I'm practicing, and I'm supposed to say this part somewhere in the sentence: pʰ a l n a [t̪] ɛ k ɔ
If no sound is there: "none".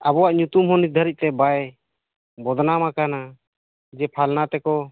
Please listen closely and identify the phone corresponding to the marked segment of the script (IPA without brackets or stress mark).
t̪